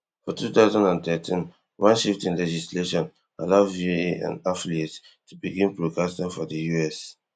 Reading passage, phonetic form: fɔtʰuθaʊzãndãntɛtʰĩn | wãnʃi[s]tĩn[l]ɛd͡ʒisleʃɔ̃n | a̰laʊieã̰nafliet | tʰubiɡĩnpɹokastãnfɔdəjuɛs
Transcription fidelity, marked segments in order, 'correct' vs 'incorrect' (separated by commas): incorrect, correct